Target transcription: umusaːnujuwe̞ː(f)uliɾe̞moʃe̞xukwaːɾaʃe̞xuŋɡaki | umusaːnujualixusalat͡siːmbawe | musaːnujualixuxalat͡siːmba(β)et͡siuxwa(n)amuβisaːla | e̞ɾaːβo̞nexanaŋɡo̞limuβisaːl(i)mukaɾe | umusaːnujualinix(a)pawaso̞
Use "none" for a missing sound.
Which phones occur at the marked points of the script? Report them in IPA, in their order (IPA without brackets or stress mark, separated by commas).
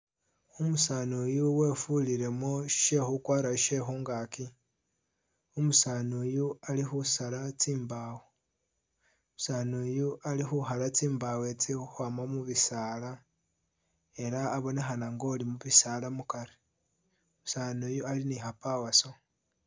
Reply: f, w, m, a, a